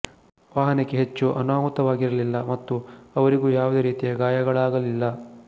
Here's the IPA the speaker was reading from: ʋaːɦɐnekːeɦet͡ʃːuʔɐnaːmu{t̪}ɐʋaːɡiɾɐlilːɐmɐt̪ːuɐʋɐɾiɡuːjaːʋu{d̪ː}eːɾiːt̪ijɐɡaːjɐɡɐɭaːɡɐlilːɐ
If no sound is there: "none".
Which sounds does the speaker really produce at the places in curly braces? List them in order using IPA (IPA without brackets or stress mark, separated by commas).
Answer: t̪, d̪